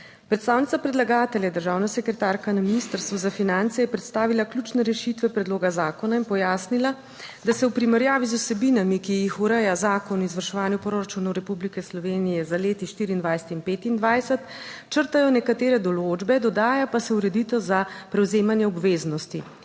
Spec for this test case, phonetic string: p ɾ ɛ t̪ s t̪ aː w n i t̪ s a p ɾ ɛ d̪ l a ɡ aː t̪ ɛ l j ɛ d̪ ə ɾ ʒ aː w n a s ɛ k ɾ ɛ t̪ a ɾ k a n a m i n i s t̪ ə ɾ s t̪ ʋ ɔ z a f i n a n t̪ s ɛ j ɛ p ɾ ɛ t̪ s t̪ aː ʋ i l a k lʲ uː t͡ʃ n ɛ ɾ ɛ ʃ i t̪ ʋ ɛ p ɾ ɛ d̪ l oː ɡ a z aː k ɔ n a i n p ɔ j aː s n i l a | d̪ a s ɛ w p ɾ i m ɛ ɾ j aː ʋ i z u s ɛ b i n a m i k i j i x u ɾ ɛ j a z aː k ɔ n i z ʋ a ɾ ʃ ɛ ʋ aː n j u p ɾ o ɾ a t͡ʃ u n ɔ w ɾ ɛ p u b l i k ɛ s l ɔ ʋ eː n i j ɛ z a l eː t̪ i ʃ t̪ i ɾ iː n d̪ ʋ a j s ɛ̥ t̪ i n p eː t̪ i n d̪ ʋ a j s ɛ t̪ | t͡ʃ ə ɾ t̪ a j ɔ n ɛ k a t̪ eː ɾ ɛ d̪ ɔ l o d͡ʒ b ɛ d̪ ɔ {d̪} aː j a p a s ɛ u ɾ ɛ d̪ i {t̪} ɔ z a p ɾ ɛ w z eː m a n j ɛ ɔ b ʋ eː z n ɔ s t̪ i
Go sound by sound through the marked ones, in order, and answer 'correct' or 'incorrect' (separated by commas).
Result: correct, correct